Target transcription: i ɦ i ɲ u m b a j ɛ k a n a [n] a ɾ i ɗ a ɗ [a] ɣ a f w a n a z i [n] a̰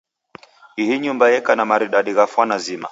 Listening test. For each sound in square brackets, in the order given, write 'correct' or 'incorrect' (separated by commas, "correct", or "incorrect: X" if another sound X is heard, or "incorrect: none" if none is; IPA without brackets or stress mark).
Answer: incorrect: m, incorrect: i, incorrect: m